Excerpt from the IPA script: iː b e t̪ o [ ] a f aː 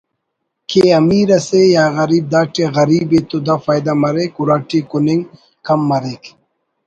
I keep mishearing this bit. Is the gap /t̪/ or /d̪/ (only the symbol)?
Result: d̪